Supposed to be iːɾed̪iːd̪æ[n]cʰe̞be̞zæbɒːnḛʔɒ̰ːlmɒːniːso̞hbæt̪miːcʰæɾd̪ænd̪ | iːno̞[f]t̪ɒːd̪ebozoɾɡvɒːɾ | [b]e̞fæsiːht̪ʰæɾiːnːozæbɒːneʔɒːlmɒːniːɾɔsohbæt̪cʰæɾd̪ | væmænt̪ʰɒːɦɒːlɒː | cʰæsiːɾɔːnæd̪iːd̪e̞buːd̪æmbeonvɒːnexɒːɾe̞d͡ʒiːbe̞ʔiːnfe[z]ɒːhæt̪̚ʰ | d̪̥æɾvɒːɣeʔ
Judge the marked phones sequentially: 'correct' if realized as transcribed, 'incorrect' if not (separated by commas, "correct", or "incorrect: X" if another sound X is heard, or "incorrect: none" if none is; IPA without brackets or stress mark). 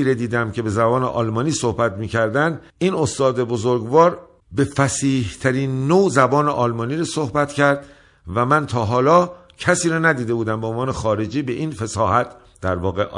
incorrect: m, incorrect: s, correct, incorrect: s